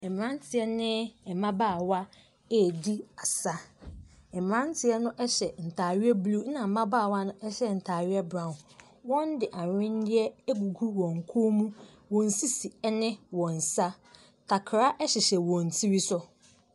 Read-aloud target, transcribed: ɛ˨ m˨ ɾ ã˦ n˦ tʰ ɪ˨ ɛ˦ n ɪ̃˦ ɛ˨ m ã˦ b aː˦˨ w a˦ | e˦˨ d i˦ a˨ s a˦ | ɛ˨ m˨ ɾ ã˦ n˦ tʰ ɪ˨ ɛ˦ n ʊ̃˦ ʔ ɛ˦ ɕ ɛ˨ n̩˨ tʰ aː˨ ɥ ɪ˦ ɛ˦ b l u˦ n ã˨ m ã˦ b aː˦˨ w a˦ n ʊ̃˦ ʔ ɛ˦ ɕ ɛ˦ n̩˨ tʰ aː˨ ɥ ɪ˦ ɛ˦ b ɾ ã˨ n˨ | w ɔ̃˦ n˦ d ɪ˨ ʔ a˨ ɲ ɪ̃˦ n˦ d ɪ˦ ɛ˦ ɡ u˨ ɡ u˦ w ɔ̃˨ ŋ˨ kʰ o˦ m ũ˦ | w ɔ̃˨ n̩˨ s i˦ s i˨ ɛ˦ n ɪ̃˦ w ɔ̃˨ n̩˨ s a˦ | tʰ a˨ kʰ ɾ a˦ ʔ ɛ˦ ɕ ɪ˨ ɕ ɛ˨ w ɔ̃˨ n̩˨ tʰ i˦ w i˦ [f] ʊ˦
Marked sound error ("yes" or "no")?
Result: yes